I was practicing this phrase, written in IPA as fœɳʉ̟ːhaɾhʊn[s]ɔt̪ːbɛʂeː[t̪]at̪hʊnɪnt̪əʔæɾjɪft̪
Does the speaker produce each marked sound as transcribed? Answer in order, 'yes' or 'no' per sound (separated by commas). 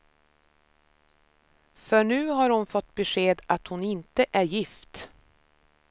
no, no